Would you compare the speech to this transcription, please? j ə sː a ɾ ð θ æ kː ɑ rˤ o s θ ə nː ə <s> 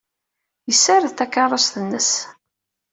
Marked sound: correct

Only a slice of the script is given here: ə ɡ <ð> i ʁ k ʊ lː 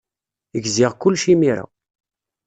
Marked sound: incorrect: z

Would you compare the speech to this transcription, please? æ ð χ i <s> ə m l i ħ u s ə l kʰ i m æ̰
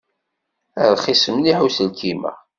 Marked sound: correct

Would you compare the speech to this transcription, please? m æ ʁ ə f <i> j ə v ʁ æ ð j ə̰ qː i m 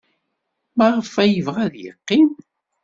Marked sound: incorrect: æ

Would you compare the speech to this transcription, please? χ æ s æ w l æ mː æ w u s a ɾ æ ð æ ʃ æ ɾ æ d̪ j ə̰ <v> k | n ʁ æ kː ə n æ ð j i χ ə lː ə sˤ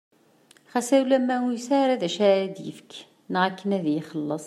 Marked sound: incorrect: f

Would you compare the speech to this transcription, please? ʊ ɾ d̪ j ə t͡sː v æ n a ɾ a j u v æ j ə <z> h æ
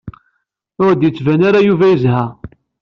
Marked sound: correct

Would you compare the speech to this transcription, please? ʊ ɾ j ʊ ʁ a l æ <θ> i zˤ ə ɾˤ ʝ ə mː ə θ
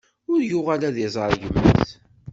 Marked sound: incorrect: ð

